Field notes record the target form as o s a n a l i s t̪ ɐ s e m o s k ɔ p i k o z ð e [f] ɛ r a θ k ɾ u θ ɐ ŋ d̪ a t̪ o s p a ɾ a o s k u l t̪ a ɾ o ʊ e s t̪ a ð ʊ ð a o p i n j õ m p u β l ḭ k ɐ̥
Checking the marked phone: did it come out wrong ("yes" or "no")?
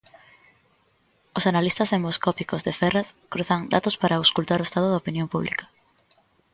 no